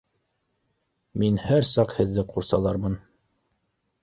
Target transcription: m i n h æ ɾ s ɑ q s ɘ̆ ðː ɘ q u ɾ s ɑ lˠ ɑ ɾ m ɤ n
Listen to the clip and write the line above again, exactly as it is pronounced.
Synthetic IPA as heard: m i n h æ ɾ s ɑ q h ɘ̆ ðː ɘ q u ɾ s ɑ lˠ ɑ ɾ m ɤ n

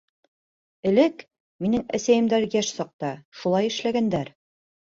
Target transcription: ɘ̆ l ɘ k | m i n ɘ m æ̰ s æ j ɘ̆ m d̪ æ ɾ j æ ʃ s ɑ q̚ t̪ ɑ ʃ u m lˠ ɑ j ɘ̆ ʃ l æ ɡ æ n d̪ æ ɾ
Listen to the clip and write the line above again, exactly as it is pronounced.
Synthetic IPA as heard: ɘ̆ l ɘ k | m i n ɘ ŋ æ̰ s æ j ɘ̆ m d̪ æ ɾ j æ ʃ s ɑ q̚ t̪ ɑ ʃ u lˠ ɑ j ɘ̆ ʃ l æ ɡ æ n d̪ æ ɾ

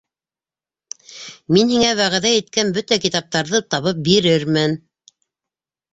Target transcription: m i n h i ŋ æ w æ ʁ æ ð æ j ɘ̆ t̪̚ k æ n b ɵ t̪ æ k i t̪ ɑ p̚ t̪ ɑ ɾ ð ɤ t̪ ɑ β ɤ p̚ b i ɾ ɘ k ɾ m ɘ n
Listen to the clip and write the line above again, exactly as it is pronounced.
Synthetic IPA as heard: m i n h i ŋ æ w æ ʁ æ ð æ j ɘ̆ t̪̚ k æ n b ɵ t̪ æ k i t̪ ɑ p̚ t̪ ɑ ɾ ð ɤ t̪ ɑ β ɤ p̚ b i ɾ ɘ ɾ m ɘ n

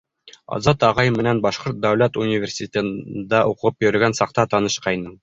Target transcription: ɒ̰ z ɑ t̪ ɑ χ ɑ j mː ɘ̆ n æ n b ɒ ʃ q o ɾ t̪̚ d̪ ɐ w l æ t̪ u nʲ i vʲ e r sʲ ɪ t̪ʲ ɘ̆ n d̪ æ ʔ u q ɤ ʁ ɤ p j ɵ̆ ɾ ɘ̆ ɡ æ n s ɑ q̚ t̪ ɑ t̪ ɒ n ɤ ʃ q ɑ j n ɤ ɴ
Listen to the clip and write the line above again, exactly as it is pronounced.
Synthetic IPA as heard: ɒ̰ z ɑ t̪ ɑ ʁ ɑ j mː ɘ̆ n æ n b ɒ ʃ q o ɾ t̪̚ d̪ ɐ w l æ t̪ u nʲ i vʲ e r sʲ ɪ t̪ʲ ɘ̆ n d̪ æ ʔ u q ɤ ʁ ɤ p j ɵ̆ ɾ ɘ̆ ɡ æ n s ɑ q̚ t̪ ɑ t̪ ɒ n ɤ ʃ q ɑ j n ɤ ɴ

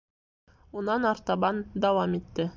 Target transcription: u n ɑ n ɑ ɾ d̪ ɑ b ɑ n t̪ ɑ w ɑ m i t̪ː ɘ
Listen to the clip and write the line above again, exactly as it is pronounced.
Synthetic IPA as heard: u n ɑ n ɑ ɾ t̪ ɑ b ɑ n d̪ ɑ w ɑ m i t̪ː ɘ

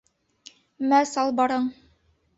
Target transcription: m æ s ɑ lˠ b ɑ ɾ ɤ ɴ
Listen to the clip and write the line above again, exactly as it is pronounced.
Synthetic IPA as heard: m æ s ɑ lˠ b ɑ ɾ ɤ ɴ

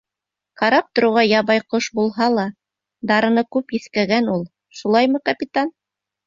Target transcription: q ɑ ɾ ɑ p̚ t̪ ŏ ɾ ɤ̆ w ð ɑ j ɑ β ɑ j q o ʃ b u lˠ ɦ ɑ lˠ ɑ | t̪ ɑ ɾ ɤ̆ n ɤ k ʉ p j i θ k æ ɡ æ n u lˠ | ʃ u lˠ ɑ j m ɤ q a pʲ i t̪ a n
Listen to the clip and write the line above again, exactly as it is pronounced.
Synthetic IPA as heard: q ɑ ɾ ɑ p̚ t̪ ŏ ɾ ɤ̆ w ʁ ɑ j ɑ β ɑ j q o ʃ b u lˠ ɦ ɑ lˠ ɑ | d̪ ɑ ɾ ɤ̆ n ɤ k ʉ p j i θ k æ ɡ æ n u lˠ | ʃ u lˠ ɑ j m ɤ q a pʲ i t̪ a n

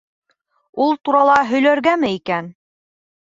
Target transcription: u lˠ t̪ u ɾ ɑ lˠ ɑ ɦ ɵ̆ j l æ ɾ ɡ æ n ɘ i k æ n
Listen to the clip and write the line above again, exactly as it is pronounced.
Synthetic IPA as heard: u lˠ t̪ u ɾ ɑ lˠ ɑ ɦ ɵ̆ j l æ ɾ ɡ æ m ɘ i k æ n

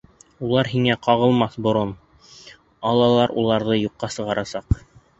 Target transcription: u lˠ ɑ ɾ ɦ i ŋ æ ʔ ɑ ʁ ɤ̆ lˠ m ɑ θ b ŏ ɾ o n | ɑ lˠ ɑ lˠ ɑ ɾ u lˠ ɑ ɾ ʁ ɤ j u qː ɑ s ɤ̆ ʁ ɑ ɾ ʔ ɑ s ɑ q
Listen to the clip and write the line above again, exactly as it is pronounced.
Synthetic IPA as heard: u lˠ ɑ ɾ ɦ i ŋ æ q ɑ ʁ ɤ̆ lˠ m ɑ θ b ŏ ɾ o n | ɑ lˠ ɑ lˠ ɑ ɾ u lˠ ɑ ɾ ð ɤ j u qː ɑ s ɤ̆ ʁ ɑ ɾ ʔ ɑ s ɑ q

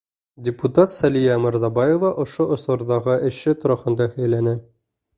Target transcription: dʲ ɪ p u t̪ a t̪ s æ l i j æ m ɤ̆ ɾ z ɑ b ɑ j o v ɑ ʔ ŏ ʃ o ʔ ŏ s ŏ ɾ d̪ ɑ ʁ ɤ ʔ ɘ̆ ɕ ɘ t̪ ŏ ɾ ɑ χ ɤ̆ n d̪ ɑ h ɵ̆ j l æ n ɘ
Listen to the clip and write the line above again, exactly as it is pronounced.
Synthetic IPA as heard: dʲ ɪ p u t̪ a t̪ s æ l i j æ m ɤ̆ ɾ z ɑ b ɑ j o v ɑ ʔ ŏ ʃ o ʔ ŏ s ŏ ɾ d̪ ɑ ʁ ɤ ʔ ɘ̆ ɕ ɘ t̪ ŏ ɾ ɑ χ ɤ̆ n d̪ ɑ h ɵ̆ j l æ n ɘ

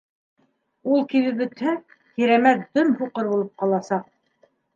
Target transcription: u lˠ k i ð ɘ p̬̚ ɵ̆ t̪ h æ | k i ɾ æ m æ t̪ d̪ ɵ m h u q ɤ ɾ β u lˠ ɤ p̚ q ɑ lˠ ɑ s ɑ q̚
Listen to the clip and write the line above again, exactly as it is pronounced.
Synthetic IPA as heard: u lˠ k i ð ɘ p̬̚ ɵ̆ t̪ h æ | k i ɾ æ m æ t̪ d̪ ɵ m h u q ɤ ɾ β u lˠ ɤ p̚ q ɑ lˠ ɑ s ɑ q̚

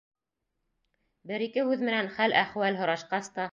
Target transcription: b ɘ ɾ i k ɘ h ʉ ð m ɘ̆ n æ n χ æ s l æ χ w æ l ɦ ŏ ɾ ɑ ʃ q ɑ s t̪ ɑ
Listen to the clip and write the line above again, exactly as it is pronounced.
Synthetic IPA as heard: b ɘ ɾ i k ɘ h ʉ ð m ɘ̆ n æ n χ æ l æ χ w æ l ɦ ŏ ɾ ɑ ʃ q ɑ s t̪ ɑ

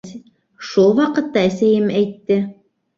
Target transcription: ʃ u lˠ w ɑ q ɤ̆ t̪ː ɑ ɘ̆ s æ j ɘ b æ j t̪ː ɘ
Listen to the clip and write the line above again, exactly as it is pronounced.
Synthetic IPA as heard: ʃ u lˠ w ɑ q ɤ̆ t̪ː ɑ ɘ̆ s æ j ɘ m æ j t̪ː ɘ

